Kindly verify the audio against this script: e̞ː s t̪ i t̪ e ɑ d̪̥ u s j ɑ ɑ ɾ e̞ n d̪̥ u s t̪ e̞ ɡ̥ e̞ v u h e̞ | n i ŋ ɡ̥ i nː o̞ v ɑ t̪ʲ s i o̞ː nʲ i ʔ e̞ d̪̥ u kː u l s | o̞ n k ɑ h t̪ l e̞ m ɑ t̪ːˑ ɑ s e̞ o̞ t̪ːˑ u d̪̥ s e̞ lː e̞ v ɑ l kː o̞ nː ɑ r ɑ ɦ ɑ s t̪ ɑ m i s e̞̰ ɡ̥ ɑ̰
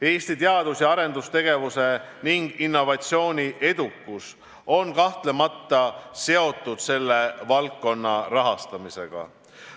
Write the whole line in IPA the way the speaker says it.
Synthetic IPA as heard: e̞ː s t̪ i t̪ e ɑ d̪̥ u s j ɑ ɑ ɾ e̞ n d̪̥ u s t̪ e̞ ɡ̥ e̞ v u s e̞ | n i ŋ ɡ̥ i nː o̞ v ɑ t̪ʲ s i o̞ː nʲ i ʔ e̞ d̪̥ u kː u s | o̞ n k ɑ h t̪ l e̞ m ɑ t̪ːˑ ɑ s e̞ o̞ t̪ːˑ u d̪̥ s e̞ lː e̞ v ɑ l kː o̞ nː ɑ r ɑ ɦ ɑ s t̪ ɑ m i s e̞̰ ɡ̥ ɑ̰